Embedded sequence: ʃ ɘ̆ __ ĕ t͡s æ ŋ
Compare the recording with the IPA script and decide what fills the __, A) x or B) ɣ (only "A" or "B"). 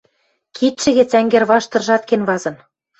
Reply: B